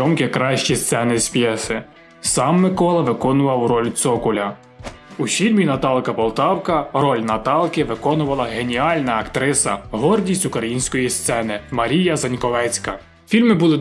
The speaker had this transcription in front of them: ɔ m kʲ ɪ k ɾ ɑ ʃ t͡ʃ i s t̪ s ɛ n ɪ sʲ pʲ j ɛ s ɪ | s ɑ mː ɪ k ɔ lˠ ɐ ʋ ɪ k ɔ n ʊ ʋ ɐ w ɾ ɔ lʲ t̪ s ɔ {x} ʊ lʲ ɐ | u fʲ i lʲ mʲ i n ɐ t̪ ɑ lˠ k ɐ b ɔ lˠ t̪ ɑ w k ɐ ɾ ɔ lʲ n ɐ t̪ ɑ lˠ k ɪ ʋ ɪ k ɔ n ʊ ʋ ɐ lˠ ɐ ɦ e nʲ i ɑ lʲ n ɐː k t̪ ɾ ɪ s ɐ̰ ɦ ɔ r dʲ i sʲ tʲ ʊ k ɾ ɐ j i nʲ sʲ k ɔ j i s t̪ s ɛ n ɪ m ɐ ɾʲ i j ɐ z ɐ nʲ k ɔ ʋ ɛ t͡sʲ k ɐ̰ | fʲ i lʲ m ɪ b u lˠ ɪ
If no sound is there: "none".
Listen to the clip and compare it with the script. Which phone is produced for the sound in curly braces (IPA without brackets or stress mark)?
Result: k